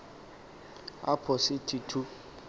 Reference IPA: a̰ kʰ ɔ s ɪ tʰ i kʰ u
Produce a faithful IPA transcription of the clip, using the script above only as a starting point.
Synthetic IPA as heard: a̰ pʰ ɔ s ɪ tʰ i tʰ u